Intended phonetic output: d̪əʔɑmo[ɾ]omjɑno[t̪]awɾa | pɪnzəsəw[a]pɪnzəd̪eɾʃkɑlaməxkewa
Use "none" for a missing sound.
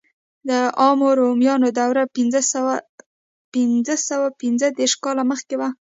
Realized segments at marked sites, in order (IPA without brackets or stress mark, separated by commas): ɾ, d̪, a